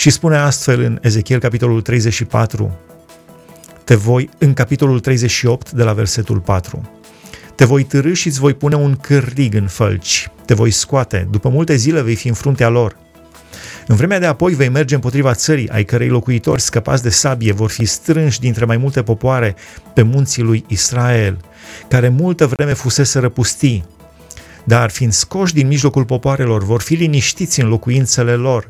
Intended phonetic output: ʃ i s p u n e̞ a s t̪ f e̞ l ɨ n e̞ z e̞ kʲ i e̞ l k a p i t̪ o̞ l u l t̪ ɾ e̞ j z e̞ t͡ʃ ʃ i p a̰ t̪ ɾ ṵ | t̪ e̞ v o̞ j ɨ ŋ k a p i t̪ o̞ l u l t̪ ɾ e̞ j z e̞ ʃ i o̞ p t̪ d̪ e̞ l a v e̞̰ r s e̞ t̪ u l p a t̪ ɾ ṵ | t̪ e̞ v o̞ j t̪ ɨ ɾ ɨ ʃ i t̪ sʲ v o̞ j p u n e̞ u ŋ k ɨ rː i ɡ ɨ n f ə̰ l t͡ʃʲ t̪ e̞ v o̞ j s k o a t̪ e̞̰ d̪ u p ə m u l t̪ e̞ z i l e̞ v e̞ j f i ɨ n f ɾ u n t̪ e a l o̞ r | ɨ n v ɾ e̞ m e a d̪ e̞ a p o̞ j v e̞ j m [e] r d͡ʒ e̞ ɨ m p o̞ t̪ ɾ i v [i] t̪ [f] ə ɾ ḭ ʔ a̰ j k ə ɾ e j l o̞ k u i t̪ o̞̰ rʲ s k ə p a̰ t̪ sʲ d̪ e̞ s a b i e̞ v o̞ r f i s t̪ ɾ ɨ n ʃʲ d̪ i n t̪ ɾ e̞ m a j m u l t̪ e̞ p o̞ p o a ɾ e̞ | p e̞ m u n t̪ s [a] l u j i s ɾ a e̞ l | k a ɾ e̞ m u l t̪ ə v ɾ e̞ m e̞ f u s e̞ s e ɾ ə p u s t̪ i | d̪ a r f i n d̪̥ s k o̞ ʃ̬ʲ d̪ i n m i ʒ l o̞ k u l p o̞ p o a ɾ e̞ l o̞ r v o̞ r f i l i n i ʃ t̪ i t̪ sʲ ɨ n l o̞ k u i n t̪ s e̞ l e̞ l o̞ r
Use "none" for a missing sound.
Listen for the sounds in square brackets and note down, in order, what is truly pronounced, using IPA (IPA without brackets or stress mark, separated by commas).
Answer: e, a, s, i